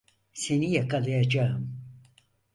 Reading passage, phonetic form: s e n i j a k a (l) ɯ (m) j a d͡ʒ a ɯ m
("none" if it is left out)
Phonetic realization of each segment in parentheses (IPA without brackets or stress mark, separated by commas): l, none